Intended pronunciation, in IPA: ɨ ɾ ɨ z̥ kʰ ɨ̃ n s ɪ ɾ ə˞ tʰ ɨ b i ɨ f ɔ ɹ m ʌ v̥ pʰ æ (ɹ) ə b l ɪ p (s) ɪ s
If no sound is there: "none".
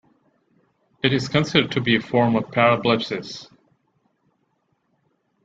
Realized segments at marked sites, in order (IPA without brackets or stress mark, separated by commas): ɹ, s